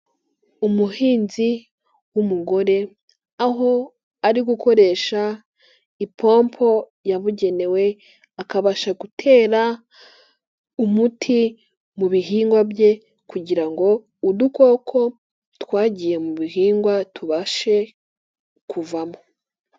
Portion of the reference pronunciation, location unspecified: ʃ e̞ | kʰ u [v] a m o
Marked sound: correct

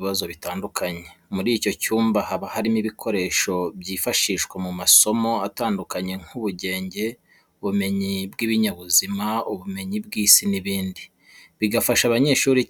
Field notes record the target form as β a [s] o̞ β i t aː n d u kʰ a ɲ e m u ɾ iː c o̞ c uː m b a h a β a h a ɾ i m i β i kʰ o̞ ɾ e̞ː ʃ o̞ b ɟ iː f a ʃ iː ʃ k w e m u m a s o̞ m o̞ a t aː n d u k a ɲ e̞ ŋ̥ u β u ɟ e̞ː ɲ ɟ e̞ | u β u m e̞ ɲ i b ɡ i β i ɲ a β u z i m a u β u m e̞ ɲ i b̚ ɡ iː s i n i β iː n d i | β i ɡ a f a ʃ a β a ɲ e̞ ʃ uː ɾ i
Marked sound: incorrect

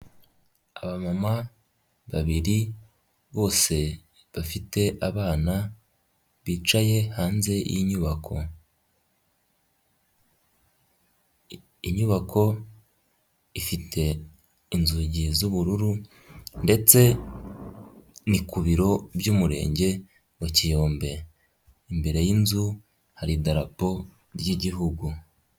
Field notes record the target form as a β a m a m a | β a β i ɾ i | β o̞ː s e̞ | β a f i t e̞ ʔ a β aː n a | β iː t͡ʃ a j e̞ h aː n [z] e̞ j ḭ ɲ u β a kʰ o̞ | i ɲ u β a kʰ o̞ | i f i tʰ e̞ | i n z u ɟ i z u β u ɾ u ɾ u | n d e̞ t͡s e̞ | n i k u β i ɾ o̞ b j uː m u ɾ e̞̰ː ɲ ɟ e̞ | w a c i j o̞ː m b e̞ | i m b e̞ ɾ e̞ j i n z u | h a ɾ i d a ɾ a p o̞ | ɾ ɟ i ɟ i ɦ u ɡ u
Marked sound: correct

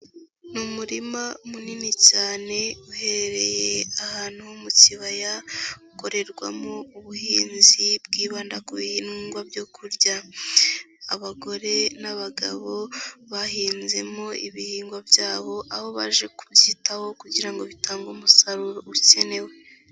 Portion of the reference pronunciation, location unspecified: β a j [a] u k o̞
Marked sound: correct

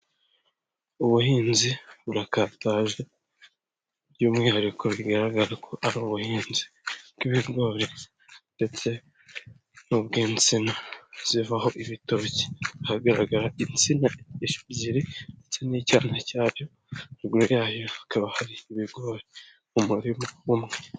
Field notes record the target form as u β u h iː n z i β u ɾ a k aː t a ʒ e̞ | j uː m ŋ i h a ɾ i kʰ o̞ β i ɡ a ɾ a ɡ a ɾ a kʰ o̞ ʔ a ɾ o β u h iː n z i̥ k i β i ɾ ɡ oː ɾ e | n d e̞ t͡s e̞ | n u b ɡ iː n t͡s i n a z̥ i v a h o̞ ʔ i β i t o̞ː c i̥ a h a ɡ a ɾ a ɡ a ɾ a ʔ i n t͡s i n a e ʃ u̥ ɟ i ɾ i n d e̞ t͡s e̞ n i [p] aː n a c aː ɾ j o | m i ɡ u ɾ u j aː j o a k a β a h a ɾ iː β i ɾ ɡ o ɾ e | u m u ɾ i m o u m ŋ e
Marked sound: incorrect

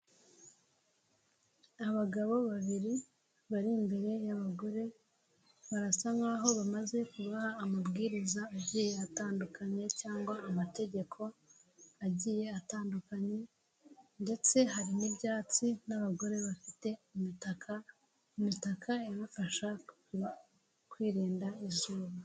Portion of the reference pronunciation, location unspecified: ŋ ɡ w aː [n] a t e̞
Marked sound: incorrect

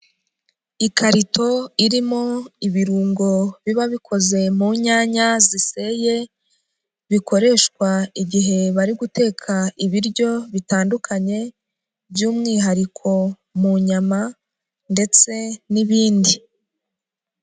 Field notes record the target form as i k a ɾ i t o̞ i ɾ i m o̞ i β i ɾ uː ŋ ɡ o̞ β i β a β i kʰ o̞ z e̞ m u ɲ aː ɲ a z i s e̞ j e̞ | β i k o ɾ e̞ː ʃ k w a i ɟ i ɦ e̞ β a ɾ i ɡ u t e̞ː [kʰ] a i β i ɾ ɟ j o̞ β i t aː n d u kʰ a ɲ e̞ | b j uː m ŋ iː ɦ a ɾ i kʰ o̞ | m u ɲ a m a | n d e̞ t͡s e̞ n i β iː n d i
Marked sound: correct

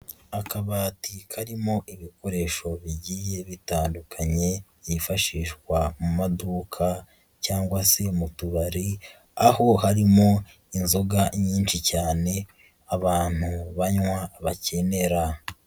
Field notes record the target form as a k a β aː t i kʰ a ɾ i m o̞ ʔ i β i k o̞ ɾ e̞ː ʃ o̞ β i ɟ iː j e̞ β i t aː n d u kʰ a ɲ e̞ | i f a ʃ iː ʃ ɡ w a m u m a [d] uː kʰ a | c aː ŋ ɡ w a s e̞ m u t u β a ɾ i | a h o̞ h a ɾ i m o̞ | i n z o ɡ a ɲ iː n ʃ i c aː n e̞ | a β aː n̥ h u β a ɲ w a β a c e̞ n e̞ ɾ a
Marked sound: correct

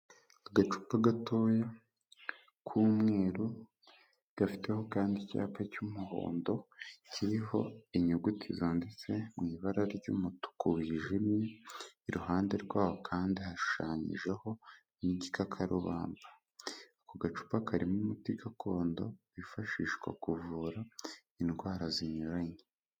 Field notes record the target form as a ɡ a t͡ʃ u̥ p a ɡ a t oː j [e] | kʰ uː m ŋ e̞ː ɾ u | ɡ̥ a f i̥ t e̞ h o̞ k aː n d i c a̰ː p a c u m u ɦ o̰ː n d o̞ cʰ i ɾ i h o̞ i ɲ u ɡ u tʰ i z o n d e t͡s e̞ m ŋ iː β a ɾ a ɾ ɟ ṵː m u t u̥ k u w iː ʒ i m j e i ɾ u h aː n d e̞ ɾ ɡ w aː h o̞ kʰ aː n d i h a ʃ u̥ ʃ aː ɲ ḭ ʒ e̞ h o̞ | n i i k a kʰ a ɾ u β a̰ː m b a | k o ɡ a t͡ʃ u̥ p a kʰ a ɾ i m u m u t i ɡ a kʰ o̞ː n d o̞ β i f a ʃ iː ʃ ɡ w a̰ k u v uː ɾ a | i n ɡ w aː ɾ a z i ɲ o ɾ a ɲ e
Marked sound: correct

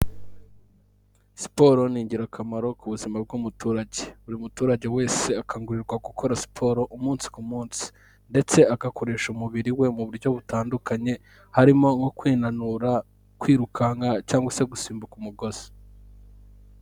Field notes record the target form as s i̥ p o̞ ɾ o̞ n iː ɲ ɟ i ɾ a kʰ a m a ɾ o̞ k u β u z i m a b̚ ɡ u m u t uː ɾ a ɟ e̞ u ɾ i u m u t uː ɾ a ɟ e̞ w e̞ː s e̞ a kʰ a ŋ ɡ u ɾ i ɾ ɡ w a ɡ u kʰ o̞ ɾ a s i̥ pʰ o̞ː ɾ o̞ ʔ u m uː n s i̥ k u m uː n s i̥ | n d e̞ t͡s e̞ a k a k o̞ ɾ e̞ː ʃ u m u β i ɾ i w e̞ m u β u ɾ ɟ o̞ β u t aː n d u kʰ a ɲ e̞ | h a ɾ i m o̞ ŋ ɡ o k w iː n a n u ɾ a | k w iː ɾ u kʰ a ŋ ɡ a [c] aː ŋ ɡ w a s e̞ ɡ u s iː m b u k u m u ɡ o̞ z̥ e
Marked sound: correct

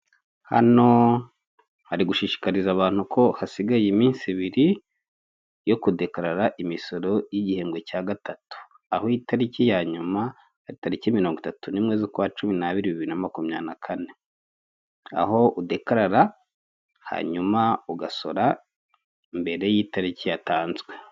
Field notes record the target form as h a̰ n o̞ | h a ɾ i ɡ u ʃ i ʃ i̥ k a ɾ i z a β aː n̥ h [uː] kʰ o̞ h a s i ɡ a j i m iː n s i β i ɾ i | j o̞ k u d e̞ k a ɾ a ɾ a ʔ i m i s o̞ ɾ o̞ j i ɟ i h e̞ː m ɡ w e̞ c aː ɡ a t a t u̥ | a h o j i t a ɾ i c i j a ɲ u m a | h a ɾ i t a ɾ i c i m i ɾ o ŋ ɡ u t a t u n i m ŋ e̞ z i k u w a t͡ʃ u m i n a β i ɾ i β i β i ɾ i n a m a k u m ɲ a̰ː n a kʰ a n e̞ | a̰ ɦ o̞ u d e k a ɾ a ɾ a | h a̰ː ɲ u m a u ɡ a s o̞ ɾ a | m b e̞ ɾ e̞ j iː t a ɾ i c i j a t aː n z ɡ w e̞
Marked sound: incorrect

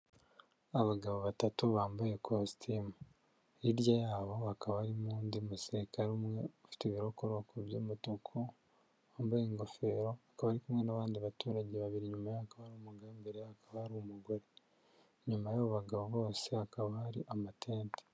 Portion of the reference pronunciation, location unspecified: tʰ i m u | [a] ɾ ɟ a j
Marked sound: incorrect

